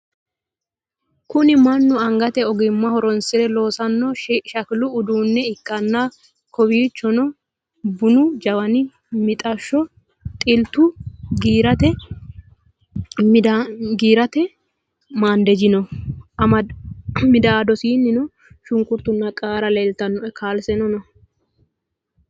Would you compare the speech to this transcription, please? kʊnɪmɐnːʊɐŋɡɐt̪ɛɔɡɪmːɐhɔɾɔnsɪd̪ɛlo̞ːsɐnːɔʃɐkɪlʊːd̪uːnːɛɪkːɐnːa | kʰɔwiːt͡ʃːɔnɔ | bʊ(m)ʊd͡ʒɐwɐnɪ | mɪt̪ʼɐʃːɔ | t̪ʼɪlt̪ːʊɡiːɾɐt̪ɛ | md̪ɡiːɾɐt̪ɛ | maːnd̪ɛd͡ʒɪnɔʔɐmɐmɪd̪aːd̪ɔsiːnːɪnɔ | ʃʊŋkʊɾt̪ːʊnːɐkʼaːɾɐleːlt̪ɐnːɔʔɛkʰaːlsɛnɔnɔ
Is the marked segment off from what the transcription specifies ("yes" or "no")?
yes